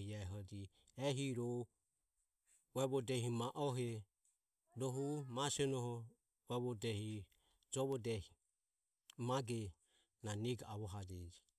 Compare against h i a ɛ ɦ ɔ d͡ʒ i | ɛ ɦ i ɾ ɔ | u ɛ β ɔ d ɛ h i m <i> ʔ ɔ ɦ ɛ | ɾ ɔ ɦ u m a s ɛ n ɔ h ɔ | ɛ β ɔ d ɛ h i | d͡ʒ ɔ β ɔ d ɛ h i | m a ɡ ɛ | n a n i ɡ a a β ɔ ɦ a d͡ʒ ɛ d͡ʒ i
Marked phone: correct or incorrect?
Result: incorrect